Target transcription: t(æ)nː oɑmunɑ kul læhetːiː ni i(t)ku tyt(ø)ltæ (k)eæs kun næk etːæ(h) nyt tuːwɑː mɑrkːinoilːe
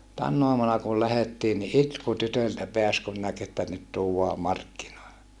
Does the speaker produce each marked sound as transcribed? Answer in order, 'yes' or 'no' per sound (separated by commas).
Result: yes, yes, yes, no, no